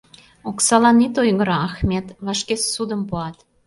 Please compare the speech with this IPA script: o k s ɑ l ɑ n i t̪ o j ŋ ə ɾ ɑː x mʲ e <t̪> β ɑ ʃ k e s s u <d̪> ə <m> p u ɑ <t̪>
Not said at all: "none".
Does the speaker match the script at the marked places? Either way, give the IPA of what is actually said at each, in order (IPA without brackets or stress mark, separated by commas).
t̪, d̪, m, t̪